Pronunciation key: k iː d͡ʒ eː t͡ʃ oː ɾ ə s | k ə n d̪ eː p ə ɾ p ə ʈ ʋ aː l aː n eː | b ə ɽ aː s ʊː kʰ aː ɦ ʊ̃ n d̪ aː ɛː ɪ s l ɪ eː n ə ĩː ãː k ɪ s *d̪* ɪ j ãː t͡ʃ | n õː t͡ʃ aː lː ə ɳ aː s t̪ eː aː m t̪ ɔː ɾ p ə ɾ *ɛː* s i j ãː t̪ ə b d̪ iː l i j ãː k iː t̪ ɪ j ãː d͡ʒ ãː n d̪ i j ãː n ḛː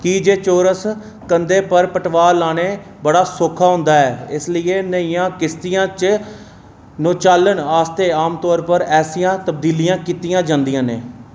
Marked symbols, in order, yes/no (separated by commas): no, yes